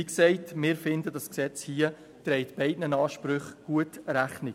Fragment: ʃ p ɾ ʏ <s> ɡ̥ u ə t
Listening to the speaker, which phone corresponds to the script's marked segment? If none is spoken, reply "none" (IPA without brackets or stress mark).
χ